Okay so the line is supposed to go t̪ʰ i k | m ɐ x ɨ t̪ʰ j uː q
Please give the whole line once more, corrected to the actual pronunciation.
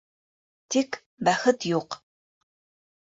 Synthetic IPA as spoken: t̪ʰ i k | b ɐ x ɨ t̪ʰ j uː q